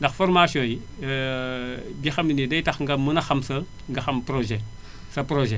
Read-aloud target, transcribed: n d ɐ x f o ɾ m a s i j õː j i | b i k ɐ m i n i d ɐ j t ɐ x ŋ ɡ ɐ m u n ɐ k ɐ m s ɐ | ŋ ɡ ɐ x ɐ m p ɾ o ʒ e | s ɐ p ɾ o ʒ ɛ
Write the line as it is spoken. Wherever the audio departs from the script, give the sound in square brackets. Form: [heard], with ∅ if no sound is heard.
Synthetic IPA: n d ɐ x f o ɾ m a s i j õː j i | b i [x] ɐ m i n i d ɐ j t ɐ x ŋ ɡ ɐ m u n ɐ [x] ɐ m s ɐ | ŋ ɡ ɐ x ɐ m p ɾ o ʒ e | s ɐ p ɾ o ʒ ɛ